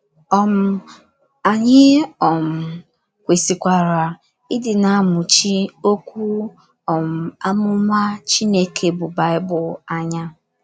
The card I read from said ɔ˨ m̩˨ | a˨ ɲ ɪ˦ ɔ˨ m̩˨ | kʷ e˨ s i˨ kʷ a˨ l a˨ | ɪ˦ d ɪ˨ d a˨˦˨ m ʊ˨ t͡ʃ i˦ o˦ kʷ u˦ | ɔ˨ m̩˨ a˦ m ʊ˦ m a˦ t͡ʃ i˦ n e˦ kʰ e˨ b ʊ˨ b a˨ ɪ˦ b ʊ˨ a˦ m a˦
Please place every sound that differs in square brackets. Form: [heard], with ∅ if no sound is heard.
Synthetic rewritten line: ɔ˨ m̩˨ | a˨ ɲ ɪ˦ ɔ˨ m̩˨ | kʷ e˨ s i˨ kʷ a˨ [ɾ] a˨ | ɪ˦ d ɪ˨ [n] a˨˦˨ m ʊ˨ t͡ʃ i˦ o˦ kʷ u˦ | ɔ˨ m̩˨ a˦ m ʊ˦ m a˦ t͡ʃ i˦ n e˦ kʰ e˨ b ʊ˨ b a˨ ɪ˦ b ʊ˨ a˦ [ɲ] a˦